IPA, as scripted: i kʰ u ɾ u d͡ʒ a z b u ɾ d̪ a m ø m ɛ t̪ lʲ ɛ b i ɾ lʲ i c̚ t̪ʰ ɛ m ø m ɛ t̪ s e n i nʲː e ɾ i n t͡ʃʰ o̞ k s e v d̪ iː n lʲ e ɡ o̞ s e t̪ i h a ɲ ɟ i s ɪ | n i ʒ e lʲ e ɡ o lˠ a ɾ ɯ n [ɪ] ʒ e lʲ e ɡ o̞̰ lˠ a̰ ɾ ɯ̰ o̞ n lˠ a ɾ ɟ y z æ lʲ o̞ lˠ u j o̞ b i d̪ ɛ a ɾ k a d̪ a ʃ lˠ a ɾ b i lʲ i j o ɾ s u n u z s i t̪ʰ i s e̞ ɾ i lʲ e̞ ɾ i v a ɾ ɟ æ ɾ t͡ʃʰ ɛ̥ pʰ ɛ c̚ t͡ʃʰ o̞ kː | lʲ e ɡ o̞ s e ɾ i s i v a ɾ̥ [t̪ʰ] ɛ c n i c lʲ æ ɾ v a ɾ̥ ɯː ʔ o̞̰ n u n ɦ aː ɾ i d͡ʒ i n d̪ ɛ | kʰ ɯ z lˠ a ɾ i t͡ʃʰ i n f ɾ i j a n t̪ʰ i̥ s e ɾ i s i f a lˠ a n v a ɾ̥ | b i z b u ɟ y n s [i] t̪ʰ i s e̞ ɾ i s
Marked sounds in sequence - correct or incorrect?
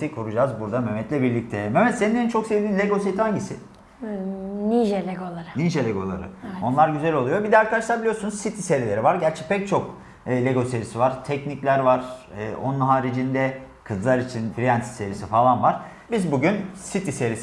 incorrect, correct, correct

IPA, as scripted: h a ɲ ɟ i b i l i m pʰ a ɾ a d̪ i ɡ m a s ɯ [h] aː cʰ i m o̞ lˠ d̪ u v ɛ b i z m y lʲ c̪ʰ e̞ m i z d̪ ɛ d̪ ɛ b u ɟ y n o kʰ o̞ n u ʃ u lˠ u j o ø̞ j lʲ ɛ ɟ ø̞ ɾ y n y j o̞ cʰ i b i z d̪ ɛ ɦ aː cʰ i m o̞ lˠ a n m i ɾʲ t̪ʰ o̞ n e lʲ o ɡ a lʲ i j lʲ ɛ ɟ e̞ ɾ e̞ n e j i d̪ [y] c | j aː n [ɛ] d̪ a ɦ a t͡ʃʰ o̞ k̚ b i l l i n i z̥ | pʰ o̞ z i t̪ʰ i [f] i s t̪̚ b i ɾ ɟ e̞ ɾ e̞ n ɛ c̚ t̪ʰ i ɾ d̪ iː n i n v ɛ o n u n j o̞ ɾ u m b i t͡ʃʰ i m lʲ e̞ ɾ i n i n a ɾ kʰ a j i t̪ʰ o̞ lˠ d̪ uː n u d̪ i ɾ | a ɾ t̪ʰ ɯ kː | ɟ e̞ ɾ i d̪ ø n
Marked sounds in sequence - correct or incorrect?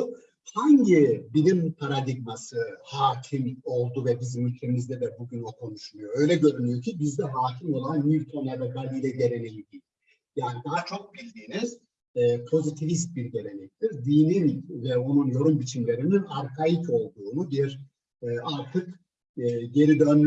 correct, incorrect, incorrect, incorrect

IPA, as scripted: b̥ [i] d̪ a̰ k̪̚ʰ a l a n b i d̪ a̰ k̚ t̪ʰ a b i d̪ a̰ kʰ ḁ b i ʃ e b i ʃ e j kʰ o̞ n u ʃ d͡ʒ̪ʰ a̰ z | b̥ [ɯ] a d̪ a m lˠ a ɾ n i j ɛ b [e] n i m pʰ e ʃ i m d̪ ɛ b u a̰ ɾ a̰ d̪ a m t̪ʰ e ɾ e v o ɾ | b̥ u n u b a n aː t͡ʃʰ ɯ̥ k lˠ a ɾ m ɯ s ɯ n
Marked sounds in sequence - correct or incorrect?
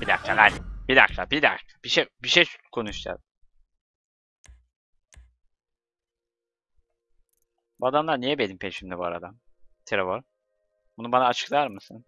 correct, incorrect, correct

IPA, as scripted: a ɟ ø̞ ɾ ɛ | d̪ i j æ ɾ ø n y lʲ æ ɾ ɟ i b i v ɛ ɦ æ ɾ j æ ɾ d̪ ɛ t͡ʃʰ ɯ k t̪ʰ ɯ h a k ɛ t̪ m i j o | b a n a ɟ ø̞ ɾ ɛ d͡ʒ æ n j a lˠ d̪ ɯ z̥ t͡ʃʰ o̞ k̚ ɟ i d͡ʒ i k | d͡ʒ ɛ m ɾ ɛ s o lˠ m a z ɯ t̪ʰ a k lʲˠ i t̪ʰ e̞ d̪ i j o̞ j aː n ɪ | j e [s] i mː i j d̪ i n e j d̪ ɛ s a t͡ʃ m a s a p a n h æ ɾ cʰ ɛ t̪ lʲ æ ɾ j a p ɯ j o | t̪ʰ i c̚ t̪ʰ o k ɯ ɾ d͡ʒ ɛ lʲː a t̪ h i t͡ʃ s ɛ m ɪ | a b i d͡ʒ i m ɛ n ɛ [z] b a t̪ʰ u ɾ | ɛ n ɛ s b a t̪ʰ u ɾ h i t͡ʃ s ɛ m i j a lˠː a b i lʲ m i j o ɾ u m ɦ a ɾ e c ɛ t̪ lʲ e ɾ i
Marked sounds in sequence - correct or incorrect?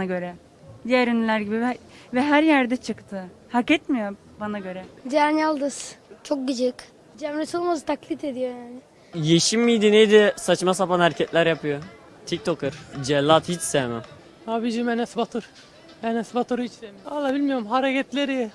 incorrect, incorrect

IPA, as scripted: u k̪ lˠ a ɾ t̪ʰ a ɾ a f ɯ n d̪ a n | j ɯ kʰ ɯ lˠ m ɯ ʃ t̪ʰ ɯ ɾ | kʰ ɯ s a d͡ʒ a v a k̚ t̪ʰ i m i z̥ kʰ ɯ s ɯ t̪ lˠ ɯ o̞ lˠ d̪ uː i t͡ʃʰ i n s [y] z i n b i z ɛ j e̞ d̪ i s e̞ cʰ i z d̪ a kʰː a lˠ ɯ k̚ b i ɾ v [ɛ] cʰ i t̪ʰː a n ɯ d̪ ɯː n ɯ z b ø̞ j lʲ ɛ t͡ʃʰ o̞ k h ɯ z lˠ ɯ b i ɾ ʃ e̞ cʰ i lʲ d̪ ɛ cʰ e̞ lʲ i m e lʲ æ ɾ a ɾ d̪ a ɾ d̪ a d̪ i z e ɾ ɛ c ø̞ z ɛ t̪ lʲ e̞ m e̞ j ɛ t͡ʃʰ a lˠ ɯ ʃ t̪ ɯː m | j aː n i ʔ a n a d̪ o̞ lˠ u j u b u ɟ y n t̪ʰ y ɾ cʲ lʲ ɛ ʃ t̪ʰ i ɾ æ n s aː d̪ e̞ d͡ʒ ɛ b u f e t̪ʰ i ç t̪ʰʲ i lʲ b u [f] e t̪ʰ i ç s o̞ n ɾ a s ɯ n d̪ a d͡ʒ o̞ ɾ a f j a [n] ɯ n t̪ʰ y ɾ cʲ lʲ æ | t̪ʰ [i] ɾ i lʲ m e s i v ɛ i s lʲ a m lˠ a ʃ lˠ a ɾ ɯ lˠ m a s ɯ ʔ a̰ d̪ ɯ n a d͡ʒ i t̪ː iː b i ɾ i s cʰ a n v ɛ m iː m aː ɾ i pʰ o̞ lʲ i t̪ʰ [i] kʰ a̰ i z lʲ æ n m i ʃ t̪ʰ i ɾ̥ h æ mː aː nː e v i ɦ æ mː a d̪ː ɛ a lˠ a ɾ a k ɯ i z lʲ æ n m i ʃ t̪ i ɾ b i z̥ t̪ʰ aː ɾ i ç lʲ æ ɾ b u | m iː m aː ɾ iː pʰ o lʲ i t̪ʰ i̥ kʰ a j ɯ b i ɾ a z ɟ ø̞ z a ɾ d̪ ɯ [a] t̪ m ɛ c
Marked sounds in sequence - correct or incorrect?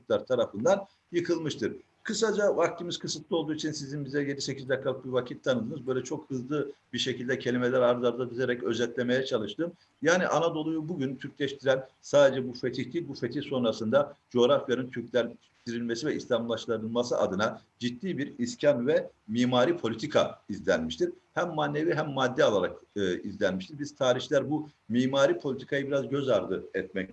incorrect, incorrect, correct, correct, correct, correct, incorrect

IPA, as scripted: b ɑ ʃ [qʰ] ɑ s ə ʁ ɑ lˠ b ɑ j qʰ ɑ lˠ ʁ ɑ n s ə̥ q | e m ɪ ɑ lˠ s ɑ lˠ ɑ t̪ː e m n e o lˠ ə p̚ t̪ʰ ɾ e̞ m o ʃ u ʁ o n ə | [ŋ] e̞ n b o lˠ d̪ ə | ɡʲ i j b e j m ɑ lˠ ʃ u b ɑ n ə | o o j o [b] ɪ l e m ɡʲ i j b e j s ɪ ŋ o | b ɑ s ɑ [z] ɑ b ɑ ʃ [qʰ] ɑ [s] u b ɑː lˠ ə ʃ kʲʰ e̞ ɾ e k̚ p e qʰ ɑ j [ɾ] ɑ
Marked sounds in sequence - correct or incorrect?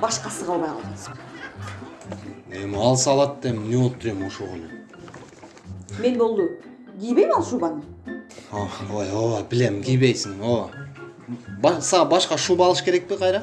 incorrect, incorrect, correct, incorrect, incorrect, incorrect, correct

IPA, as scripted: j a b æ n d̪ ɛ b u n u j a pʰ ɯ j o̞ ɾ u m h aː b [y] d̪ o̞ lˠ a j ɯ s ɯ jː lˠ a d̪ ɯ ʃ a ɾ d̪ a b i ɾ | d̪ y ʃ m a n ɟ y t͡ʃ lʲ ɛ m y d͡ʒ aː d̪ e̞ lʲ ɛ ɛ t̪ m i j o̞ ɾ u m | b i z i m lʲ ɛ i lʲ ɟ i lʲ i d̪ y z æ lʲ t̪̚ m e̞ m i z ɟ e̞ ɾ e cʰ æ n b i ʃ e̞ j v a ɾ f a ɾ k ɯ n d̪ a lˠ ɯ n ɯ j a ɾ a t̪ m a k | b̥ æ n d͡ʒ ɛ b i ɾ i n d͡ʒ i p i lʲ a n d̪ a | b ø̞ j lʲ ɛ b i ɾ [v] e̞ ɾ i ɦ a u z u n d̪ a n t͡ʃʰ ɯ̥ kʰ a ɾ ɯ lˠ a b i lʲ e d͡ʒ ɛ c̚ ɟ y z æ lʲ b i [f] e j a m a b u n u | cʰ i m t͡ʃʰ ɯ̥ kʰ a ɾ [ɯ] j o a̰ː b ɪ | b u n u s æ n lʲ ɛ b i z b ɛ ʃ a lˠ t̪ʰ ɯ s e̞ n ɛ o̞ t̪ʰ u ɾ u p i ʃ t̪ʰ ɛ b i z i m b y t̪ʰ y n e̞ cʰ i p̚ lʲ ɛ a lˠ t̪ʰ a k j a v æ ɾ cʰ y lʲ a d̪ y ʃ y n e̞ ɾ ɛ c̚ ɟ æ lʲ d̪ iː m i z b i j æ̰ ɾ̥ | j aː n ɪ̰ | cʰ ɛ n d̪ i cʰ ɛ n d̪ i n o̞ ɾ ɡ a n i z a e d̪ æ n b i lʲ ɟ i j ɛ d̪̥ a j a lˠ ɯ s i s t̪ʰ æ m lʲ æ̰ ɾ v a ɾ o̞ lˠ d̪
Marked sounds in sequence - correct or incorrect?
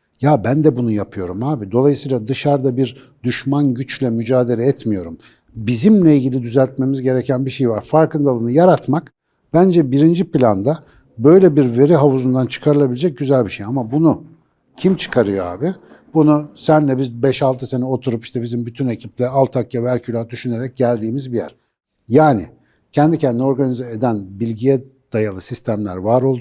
incorrect, correct, incorrect, correct

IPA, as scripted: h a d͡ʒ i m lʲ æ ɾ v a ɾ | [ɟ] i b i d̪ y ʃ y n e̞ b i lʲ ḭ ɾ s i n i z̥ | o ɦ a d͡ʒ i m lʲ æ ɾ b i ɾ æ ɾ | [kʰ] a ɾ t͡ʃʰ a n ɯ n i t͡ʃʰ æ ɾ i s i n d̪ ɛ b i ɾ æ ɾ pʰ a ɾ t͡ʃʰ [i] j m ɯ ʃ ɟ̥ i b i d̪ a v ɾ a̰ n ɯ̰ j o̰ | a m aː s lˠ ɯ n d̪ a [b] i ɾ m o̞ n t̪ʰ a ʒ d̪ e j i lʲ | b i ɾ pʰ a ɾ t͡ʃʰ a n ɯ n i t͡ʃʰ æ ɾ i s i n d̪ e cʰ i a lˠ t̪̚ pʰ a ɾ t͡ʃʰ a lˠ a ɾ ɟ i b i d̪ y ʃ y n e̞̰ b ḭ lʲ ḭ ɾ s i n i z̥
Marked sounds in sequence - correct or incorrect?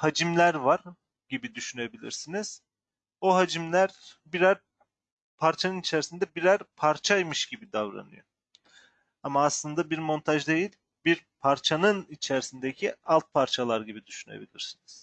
correct, incorrect, incorrect, correct

